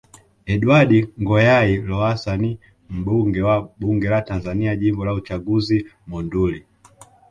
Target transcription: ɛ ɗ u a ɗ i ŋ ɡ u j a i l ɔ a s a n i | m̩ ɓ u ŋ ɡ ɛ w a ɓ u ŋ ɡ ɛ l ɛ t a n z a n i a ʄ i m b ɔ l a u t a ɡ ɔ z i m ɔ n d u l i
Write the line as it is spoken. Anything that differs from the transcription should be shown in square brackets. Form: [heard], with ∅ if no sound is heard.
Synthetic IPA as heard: ɛ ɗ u a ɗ i ŋ ɡ [ɔ] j a i l ɔ a s a n i | m̩ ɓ u ŋ ɡ ɛ w a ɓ u ŋ ɡ ɛ l [a] t a n z a n i a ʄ i m b ɔ l a u [t͡ʃ] a ɡ [u] z i m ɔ n d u l i